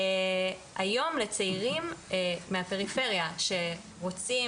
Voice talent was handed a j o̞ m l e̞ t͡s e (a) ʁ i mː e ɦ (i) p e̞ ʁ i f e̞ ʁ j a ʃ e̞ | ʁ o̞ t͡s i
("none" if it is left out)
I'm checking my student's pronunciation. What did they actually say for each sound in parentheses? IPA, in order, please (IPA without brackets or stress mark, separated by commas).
i, a